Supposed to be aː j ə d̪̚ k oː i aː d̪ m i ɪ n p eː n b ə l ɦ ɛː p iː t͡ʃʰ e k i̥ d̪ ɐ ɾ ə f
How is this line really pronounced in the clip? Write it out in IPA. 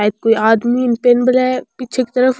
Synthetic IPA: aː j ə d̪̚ k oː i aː d̪ m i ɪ n p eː n b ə l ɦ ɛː p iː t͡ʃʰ e k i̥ t̪ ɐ ɾ ə f